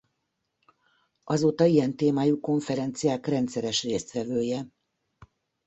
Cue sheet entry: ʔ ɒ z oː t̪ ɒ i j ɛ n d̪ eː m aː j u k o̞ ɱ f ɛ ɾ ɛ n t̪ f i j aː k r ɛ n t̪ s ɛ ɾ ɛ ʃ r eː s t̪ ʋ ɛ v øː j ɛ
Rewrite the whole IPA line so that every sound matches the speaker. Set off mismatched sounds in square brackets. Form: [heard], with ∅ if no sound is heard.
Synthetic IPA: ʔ ɒ z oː t̪ ɒ i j ɛ n [t̪] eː m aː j u k o̞ ɱ f ɛ ɾ ɛ n t̪ [s] i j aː k r ɛ n t̪ s ɛ ɾ ɛ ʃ r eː s t̪ ʋ ɛ v øː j ɛ